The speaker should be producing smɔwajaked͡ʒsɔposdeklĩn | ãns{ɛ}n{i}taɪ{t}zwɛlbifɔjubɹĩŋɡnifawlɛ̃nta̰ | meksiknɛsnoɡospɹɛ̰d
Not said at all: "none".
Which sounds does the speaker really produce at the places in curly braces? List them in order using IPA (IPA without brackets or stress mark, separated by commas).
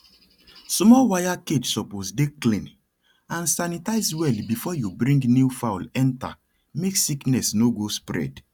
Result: a, i, none